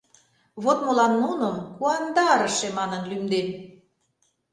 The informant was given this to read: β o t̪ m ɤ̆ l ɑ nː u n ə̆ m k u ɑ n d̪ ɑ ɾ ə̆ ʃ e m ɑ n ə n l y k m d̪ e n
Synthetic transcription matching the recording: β o t̪ m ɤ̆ l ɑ nː u n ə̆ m k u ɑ n d̪ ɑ ɾ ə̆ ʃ e m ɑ n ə n l y m d̪ e n